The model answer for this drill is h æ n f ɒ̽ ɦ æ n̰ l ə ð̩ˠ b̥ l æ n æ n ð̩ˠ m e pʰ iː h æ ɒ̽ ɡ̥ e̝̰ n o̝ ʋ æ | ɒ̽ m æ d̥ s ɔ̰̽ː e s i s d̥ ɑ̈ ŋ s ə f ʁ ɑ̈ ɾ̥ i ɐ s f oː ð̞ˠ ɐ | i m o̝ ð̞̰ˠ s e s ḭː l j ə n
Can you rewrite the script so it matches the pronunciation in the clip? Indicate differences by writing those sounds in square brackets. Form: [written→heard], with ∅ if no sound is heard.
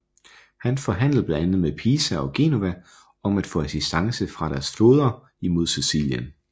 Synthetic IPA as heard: h æ n f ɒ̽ ɦ æ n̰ l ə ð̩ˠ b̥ l æ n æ n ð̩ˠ m e pʰ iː [h→s] æ ɒ̽ ɡ̥ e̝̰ n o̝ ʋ æ | ɒ̽ m æ d̥ [s→f] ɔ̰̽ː [e→æ] s i s d̥ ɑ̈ ŋ s ə f ʁ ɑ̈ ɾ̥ [i→æ] ɐ s f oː ð̞ˠ ɐ | i m o̝ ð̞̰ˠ s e s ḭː l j ə n

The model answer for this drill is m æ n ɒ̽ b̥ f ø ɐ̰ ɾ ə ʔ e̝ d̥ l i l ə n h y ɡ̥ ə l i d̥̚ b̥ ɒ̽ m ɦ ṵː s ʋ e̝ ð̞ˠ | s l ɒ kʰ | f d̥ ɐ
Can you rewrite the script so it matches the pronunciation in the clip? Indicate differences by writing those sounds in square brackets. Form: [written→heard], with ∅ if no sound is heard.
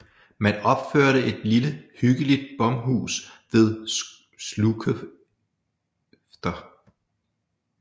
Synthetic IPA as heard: m æ n ɒ̽ b̥ f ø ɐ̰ ɾ ə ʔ e̝ d̥ l i l ə [n→∅] h y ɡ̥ ə l i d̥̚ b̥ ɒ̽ m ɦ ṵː s ʋ e̝ ð̞ˠ | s l [ɒ→u] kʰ | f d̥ ɐ

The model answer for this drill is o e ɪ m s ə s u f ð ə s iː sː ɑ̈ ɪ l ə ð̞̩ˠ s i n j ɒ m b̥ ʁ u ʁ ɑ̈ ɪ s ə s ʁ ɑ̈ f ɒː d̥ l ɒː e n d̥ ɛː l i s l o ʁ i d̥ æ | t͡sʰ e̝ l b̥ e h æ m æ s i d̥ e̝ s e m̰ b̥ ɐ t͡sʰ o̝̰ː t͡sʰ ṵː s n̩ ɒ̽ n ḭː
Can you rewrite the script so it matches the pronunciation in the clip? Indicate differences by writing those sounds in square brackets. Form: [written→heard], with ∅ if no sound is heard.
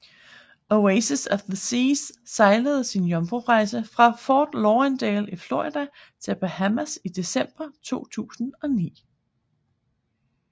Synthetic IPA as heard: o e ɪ [m→∅] s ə s [u→ɒ] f ð ə s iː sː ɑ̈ ɪ l ə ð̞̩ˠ s i n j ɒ m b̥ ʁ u ʁ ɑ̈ ɪ s ə [s→f] ʁ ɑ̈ f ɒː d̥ l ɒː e n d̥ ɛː l i [s→f] l o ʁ i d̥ æ | t͡sʰ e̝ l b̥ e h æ m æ s i d̥ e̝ s e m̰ b̥ ɐ t͡sʰ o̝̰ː t͡sʰ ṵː s n̩ ɒ̽ n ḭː

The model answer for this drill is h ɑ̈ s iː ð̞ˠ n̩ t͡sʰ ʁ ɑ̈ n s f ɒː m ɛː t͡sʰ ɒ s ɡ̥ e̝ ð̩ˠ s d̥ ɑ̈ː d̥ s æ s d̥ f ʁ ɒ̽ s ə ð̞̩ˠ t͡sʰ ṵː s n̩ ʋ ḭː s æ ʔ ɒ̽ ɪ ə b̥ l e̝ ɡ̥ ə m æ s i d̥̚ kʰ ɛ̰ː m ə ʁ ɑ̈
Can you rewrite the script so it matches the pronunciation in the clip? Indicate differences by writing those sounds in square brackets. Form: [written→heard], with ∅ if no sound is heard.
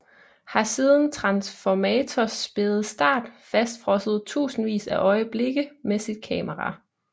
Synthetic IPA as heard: h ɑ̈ s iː ð̞ˠ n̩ t͡sʰ ʁ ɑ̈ n s f [ɒː→ɒ] m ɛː t͡sʰ ɒ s [ɡ̥→b̥] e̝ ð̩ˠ s d̥ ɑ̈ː d̥ [s→f] æ s d̥ f ʁ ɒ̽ s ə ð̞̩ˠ t͡sʰ ṵː s n̩ ʋ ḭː s æ ʔ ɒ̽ ɪ ə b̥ l e̝ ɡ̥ ə m [æ→e] s i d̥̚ kʰ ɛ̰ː m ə ʁ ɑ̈

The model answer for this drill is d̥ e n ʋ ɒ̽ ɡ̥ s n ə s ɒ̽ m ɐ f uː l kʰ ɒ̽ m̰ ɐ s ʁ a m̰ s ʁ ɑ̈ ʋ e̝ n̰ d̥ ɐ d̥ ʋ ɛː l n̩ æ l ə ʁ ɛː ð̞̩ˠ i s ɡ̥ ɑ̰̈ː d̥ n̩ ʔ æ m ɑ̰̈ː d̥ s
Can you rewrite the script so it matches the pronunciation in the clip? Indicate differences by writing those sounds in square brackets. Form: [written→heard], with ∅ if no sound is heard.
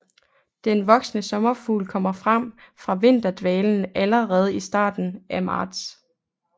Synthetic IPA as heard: d̥ e n ʋ ɒ̽ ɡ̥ s n ə s ɒ̽ m ɐ f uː l kʰ ɒ̽ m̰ ɐ [s→f] ʁ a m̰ [s→f] ʁ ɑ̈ ʋ e̝ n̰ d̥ ɐ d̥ ʋ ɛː l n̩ æ l ə ʁ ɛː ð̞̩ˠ i s [ɡ̥→d̥] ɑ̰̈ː d̥ n̩ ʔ æ m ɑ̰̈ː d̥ s

